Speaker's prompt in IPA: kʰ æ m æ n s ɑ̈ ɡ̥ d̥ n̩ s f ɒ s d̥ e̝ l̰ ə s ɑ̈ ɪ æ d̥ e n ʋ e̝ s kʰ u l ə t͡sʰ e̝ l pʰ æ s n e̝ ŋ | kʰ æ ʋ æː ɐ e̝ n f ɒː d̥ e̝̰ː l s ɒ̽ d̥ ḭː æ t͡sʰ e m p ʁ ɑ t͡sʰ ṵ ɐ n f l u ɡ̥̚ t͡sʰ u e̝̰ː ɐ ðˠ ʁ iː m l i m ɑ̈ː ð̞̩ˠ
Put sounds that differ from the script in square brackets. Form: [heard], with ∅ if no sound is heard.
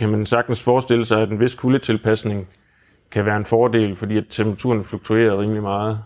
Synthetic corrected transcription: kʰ æ m æ n s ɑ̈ ɡ̥ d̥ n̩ s f [ɒː] s d̥ e̝ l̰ ə s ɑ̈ ɪ æ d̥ e n ʋ e̝ s kʰ u l ə t͡sʰ e̝ l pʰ æ s n e̝ ŋ | kʰ æ ʋ æː ɐ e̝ n f ɒː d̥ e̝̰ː l [f] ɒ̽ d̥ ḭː æ t͡sʰ e m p ʁ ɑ t͡sʰ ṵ ɐ n f l u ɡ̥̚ t͡sʰ u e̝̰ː ɐ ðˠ ʁ iː m l i m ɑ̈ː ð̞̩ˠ